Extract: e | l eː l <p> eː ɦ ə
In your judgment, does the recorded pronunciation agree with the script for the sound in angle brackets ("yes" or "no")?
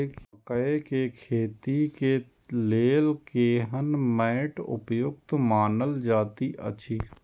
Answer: no